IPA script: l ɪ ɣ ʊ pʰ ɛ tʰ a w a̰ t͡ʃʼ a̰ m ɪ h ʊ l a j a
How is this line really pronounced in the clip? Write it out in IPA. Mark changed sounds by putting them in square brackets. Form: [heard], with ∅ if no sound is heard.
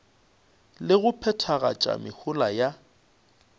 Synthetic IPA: l ɪ ɣ ʊ pʰ ɛ tʰ a [ɣ] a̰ t͡ʃʼ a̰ m ɪ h ʊ l a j a